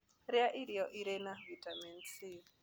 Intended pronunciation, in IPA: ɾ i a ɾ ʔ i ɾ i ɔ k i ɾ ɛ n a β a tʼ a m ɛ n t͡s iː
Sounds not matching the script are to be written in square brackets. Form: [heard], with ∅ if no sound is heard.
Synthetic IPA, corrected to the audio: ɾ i a [∅] ʔ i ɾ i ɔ [ʔ] i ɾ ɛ n a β [i] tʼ a m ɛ n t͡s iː